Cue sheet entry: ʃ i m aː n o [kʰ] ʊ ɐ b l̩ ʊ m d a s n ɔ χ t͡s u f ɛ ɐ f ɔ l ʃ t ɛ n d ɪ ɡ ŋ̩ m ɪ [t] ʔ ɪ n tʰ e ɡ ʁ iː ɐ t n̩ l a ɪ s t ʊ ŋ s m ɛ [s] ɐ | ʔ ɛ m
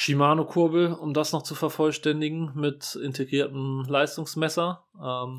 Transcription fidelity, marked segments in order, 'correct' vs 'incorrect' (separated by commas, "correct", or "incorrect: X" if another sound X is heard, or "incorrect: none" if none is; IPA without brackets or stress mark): correct, correct, correct